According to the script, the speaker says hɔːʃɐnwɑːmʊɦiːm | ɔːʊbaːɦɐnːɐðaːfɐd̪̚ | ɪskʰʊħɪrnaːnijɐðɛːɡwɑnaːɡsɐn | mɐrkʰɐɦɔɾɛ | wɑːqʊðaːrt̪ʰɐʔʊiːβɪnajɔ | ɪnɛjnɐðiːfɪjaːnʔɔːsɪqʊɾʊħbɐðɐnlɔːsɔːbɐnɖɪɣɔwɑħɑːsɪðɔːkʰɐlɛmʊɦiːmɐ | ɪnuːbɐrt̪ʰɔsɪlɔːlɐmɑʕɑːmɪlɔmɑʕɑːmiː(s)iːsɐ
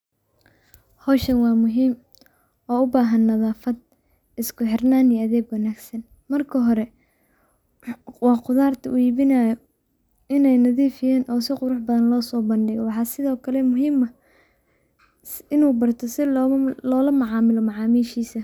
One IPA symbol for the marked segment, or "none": ʃ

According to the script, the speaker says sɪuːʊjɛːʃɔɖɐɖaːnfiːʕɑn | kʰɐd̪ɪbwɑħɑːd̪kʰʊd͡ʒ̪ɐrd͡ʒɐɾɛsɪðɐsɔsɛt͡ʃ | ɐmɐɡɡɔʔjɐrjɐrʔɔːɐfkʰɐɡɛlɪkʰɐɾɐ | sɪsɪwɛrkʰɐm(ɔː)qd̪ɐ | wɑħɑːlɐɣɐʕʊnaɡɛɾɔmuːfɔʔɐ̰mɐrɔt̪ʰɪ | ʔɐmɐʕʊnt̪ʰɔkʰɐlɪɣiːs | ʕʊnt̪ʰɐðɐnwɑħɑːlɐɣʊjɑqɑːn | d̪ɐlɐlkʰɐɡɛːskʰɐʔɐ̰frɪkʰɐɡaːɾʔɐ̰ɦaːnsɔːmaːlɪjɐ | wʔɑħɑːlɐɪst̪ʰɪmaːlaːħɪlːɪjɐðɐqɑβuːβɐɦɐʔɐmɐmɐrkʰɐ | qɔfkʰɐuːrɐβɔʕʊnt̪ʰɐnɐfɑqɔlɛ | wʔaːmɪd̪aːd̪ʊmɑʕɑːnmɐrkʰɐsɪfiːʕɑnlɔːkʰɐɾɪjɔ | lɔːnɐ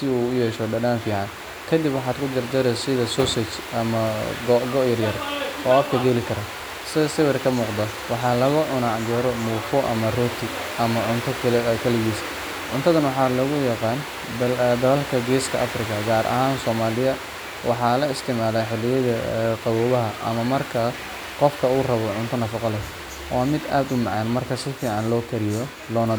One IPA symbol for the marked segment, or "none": uː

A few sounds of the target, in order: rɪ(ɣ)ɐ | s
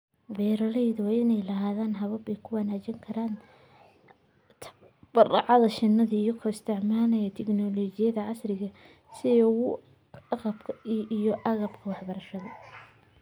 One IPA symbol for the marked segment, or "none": ɣ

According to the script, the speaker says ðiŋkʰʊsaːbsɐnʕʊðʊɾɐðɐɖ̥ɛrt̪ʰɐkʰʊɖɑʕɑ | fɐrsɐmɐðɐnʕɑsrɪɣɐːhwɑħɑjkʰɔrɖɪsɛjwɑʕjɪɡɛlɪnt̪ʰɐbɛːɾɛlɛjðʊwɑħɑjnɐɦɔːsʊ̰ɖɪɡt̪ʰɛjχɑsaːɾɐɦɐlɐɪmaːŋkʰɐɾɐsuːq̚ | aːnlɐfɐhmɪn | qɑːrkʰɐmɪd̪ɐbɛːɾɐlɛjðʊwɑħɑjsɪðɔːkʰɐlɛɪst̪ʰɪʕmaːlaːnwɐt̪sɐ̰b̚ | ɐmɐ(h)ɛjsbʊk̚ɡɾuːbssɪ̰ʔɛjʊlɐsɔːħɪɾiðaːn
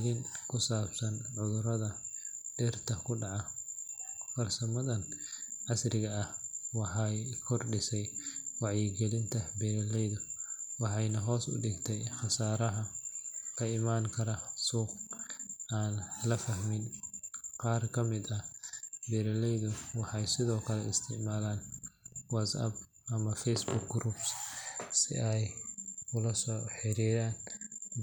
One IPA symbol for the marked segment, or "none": f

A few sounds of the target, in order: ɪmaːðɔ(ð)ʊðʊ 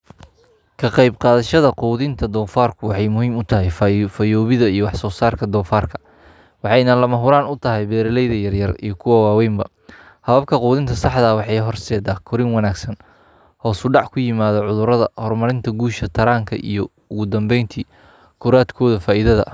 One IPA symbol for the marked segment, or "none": ʕ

